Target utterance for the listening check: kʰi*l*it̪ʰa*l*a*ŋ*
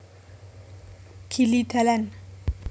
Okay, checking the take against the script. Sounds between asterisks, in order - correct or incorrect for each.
correct, correct, incorrect

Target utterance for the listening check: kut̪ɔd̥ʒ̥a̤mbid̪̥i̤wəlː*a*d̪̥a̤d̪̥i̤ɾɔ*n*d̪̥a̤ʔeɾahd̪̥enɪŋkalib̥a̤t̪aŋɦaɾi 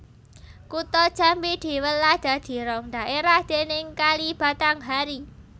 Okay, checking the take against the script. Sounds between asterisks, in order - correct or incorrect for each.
correct, incorrect

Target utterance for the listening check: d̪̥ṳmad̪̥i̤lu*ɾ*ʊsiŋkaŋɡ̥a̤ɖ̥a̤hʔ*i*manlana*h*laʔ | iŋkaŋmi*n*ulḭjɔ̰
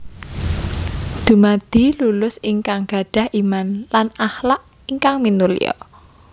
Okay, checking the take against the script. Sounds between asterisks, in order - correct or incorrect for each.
incorrect, correct, correct, correct

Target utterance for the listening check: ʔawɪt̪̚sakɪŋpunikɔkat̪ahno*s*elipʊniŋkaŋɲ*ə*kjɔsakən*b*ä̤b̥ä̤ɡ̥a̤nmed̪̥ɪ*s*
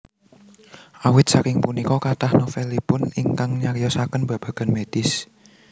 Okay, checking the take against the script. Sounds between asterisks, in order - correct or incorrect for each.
incorrect, incorrect, correct, correct

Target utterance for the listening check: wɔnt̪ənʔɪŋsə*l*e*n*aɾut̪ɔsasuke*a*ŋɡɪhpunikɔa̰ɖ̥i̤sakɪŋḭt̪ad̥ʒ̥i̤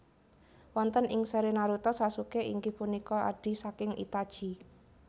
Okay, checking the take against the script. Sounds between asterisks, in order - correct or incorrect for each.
incorrect, correct, incorrect

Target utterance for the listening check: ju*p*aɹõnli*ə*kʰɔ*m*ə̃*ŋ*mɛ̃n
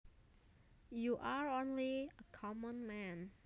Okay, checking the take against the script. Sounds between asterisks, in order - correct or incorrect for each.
incorrect, correct, correct, incorrect

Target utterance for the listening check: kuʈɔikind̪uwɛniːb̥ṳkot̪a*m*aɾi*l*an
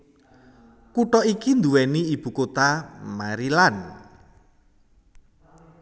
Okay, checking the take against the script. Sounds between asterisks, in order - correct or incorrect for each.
correct, correct

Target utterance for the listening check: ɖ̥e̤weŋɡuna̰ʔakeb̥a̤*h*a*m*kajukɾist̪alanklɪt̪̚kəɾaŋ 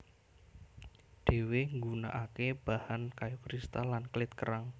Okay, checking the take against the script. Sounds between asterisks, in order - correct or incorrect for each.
correct, incorrect

